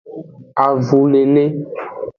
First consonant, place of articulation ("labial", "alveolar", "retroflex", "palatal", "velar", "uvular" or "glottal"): labial